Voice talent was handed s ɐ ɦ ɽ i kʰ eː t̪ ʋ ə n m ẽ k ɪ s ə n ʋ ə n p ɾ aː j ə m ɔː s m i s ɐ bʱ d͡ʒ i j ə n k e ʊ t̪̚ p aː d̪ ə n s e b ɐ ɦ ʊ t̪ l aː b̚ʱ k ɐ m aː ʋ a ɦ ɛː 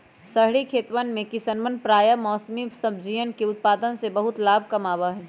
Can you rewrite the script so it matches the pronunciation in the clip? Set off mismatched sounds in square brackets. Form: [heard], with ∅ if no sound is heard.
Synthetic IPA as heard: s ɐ ɦ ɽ i kʰ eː t̪ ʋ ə n m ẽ k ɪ s ə n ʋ ə n p ɾ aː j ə m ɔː s m i s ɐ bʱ d͡ʒ i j ə n k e ʊ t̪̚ p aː d̪ ə n s e b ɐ ɦ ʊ t̪ l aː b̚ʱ k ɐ m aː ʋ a ɦ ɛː

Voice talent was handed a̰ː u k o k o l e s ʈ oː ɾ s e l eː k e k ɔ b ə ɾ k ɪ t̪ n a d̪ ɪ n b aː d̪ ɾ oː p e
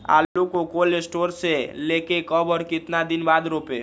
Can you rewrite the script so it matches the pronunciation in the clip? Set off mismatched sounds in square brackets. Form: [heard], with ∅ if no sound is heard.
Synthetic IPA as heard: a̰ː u k o k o l e s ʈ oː ɾ s e l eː k e k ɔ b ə ɾ k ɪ t̪ n a d̪ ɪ n b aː d̪ ɾ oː p e

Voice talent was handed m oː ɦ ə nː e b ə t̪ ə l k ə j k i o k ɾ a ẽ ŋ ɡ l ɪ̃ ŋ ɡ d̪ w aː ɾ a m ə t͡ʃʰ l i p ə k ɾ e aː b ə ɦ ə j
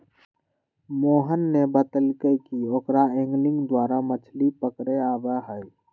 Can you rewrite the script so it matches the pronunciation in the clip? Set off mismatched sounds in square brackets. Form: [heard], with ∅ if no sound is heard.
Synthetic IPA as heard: m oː ɦ ə nː e b ə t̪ ə l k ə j k i o k ɾ a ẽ ŋ ɡ l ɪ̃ ŋ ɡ d̪ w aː ɾ a m ə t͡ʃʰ l i p ə k ɾ e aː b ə ɦ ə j

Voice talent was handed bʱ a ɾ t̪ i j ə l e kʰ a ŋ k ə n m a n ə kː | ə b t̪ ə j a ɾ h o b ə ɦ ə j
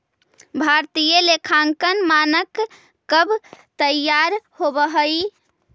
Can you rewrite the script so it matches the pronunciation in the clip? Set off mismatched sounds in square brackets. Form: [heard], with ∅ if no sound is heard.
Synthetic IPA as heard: bʱ a ɾ t̪ i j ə l e kʰ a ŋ k ə n m a n ə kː | ə b t̪ ə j a ɾ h o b ə ɦ ə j

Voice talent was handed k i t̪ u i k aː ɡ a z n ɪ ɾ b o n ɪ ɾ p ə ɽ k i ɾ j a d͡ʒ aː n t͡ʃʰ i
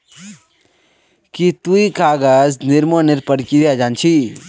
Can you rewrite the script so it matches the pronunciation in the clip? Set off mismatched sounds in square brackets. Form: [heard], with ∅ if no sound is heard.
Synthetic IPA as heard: k i t̪ u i k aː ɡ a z n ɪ ɾ [m] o n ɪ ɾ p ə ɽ k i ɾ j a d͡ʒ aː n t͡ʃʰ i

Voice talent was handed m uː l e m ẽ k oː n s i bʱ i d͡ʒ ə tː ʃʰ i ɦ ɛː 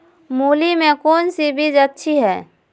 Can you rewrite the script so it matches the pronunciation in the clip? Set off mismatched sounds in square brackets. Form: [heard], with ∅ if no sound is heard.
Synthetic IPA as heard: m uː l [i] m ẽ k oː n s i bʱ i d͡ʒ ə tː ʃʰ i ɦ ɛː

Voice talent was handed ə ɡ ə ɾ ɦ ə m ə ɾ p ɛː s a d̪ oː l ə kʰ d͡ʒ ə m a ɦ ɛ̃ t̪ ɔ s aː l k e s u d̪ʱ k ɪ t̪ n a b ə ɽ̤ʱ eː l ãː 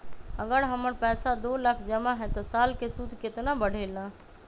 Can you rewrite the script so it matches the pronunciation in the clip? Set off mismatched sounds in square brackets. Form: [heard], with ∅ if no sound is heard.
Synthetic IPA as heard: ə ɡ ə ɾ ɦ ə m ə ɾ p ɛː s a d̪ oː l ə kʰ d͡ʒ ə m a ɦ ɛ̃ t̪ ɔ s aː l k e s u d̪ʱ k ɪ t̪ n a b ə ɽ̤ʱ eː l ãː

